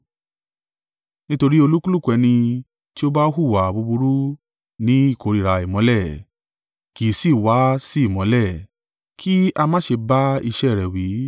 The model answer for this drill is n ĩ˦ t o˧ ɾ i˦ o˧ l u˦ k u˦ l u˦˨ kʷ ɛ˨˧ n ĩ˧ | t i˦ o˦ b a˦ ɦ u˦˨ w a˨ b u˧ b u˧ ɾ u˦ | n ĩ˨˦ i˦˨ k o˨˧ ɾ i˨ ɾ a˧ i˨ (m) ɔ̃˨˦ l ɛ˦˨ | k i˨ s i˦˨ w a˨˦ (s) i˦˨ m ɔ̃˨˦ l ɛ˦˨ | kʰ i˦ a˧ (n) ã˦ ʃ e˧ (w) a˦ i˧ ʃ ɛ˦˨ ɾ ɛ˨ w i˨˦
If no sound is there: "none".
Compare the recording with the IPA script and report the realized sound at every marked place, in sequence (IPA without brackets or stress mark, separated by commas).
m, s, m, b